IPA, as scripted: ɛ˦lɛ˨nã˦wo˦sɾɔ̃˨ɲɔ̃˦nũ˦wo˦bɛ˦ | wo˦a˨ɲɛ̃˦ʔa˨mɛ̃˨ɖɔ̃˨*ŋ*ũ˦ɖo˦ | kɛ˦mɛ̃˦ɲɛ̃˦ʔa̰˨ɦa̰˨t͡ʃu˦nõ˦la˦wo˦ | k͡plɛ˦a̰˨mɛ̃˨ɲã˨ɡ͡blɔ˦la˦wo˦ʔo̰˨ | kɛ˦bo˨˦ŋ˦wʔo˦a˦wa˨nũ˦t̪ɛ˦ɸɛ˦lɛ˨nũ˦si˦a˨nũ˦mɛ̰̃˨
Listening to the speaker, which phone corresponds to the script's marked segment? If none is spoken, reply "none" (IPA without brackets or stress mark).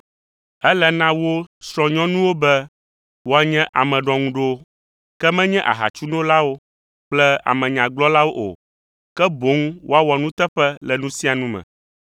ŋ